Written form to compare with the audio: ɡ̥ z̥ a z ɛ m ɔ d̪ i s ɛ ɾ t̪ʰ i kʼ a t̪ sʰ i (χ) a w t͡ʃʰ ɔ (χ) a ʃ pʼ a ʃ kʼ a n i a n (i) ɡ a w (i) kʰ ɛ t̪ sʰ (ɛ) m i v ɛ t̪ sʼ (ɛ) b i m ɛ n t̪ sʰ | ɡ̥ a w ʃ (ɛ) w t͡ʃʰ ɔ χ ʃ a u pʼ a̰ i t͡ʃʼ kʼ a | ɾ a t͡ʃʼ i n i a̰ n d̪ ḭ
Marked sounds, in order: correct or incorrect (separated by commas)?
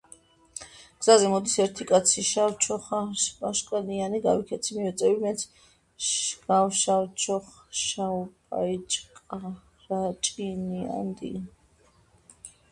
incorrect, correct, correct, correct, incorrect, correct, incorrect